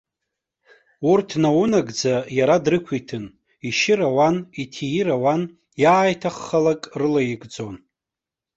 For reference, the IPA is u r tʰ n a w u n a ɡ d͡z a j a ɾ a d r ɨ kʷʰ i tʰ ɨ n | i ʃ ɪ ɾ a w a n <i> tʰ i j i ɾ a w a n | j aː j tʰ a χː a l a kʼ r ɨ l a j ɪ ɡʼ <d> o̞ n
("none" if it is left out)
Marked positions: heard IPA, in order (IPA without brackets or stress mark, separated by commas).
i, d͡z